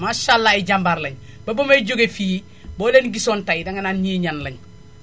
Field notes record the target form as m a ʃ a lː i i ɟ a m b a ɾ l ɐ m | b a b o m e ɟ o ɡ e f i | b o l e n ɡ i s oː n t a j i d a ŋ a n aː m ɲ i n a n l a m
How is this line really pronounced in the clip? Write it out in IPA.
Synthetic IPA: m a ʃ a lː a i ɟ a m b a ɾ l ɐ ɲ | b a b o m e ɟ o ɡ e f i | b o l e n ɡ i s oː n t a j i d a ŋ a n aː n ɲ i ɲ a n l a ɲ